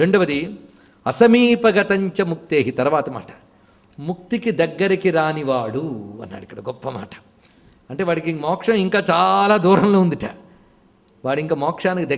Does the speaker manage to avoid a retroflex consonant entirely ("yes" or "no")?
no